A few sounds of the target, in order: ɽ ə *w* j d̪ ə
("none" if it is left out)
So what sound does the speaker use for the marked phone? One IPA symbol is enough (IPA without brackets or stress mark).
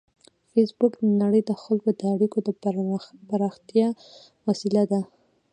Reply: none